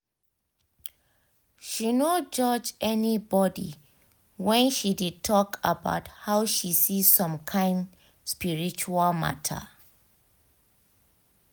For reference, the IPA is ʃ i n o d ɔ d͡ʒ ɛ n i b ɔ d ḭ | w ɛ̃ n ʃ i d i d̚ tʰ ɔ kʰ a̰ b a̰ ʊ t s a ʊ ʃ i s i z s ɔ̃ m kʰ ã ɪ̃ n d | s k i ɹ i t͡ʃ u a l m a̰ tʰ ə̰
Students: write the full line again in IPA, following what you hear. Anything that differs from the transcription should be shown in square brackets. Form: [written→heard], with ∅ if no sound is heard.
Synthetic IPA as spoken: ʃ i n o [d→d͡ʒ] ɔ d͡ʒ ɛ n i b ɔ d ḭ | w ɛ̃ n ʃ i d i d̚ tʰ ɔ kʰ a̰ b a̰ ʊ t [s→h] a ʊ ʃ i s i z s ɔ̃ m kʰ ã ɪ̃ n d | s [k→p] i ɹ i t͡ʃ u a l m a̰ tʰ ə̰